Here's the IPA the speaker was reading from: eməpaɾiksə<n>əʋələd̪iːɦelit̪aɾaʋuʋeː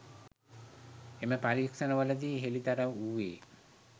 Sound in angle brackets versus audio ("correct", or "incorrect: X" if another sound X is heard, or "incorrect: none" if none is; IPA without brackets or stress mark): correct